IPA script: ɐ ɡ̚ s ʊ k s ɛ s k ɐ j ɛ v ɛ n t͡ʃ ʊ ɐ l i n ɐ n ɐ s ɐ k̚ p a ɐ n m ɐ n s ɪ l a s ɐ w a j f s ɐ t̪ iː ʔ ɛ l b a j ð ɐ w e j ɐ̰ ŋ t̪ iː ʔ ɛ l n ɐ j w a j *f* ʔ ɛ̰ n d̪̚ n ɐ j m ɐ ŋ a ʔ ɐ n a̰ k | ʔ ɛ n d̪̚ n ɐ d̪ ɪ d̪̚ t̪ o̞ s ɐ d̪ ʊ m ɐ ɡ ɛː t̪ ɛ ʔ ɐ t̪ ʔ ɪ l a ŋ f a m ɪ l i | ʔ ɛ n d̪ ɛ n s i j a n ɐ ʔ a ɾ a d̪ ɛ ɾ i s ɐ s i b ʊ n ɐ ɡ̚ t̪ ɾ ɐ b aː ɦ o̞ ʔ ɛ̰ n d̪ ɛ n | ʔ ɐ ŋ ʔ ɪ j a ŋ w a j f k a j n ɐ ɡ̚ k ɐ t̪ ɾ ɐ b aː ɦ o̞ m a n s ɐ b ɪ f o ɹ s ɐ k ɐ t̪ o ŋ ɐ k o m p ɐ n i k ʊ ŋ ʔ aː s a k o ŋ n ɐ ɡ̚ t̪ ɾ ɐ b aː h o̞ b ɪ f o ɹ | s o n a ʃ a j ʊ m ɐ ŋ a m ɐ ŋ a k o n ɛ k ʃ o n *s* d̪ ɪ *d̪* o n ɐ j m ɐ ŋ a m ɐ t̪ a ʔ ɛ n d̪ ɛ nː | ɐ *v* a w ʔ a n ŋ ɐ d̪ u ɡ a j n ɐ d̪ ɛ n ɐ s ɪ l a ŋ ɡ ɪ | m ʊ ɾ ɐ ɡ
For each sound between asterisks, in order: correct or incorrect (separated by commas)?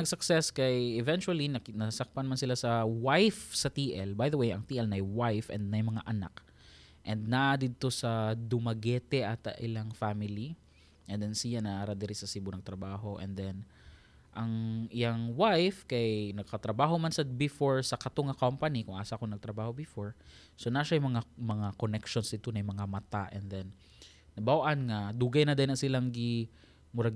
correct, correct, incorrect, incorrect